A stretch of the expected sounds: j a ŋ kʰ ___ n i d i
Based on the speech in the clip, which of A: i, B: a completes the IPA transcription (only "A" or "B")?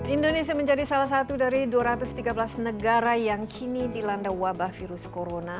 A